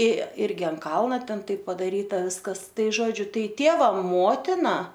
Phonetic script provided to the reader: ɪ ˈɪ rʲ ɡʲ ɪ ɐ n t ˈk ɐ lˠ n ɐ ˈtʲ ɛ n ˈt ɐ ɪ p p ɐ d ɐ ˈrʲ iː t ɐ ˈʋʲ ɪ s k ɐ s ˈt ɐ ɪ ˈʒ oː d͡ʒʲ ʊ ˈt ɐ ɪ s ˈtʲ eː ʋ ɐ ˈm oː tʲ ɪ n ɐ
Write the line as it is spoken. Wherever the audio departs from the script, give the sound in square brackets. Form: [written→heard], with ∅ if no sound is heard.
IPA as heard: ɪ ˈɪ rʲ ɡʲ ɪ ɐ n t ˈk ɐ lˠ n ɐ ˈtʲ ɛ n ˈt ɐ ɪ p p ɐ d ɐ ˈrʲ iː t ɐ ˈʋʲ ɪ s k ɐ s ˈt ɐ ɪ ˈʒ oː d͡ʒʲ ʊ ˈt ɐ ɪ [s→∅] ˈtʲ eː ʋ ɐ ˈm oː tʲ ɪ n ɐ